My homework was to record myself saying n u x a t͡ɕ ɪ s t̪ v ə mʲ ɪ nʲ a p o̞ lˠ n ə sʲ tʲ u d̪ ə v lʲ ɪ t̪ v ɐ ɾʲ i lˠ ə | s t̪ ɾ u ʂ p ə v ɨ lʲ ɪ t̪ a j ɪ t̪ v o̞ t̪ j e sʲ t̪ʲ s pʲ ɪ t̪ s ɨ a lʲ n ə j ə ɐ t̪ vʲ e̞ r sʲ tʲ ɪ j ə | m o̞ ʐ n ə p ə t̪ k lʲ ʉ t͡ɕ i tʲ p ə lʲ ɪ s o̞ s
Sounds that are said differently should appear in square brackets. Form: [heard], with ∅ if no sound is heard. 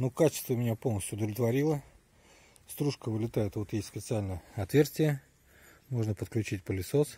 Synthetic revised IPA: n u [k] a t͡ɕ ɪ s t̪ v ə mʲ ɪ nʲ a p o̞ lˠ n ə sʲ tʲ [ʊ] d̪ ə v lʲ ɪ t̪ v ɐ ɾʲ i lˠ ə | s t̪ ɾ u ʂ [k] ə v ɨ lʲ ɪ t̪ a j ɪ t̪ v o̞ t̪ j e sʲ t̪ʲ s pʲ ɪ t̪ s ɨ a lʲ n ə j ə ɐ t̪ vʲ e̞ r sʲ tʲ ɪ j ə | m o̞ ʐ n ə p ə t̪ k lʲ ʉ t͡ɕ i tʲ p ə lʲ ɪ s o̞ s

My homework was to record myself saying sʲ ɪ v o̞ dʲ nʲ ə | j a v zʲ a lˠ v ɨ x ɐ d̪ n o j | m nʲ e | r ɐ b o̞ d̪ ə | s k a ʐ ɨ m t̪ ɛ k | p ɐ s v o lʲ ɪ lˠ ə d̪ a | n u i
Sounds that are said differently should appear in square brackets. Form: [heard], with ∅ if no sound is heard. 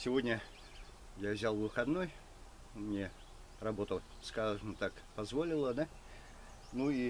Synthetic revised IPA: sʲ ɪ v o̞ dʲ nʲ ə | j a v zʲ a lˠ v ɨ x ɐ d̪ n o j | m nʲ e | r ɐ b o̞ [t̪] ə | s k a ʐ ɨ m t̪ [a] k | p ɐ [z] v o lʲ ɪ lˠ ə d̪ a | n u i

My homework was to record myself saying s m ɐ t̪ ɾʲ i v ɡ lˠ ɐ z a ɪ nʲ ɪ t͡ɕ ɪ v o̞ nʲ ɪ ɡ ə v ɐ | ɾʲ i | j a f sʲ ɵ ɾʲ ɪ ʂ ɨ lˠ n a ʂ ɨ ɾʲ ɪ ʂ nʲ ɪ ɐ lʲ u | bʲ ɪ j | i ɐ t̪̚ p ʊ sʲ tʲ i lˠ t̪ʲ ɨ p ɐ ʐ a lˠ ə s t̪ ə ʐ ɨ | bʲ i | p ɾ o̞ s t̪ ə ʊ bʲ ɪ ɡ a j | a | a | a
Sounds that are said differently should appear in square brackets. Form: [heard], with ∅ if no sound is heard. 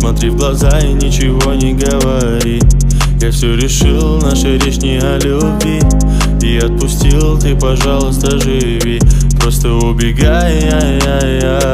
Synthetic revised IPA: s m ɐ t̪ ɾʲ i v ɡ lˠ ɐ z a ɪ nʲ ɪ t͡ɕ ɪ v o̞ nʲ ɪ ɡ ə v ɐ | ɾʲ i | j a f sʲ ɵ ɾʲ ɪ ʂ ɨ lˠ n a ʂ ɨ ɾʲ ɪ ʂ nʲ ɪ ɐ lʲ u | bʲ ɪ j | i ɐ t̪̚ p ʊ sʲ tʲ i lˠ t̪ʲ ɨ p ɐ ʐ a lˠ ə s t̪ ə ʐ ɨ | [vʲ] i | p ɾ o̞ s t̪ ə ʊ bʲ ɪ ɡ a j | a | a | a

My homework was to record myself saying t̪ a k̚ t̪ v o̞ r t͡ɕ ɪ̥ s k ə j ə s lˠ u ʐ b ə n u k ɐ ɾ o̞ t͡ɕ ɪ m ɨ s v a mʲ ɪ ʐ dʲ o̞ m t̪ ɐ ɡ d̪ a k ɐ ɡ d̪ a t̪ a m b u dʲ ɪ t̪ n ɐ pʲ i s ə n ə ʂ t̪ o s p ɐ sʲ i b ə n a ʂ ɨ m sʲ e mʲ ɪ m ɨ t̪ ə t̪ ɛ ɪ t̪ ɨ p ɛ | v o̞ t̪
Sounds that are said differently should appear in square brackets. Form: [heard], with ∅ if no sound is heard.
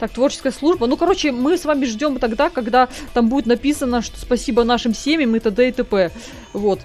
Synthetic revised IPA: t̪ a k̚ t̪ v o̞ r t͡ɕ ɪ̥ s k ə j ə s lˠ u ʐ b ə n u k ɐ ɾ o̞ t͡ɕ ɪ m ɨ s v a mʲ ɪ ʐ dʲ o̞ m t̪ ɐ ɡ d̪ a k ɐ ɡ d̪ a t̪ a m b u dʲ ɪ t̪ n ɐ pʲ i s ə n ə ʂ t̪ o s p ɐ sʲ i b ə n a ʂ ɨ m sʲ e mʲ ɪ m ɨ t̪ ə [d̪] ɛ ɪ t̪ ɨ p ɛ | v o̞ t̪

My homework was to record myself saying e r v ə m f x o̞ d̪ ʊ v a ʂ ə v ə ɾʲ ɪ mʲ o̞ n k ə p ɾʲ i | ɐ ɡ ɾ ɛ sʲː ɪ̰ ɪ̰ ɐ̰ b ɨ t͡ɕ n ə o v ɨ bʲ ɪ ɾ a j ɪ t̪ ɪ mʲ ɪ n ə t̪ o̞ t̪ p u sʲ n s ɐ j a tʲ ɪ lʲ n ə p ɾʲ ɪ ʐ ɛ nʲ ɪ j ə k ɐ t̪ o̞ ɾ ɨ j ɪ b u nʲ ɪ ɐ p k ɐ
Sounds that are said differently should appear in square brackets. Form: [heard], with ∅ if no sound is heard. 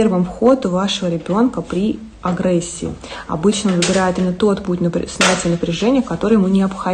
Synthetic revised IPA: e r v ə m f x o̞ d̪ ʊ v a ʂ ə v ə ɾʲ ɪ [bʲ] o̞ n k ə p ɾʲ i | ɐ ɡ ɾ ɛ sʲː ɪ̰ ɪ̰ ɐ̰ b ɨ t͡ɕ n ə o v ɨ bʲ ɪ ɾ a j ɪ t̪ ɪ mʲ ɪ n ə t̪ o̞ t̪ p u [tʲ] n s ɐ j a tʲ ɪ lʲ n ə p ɾʲ ɪ ʐ ɛ nʲ ɪ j ə k ɐ t̪ o̞ ɾ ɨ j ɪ [m] u nʲ ɪ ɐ p [x] ɐ

